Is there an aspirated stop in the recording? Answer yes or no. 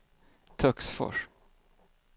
yes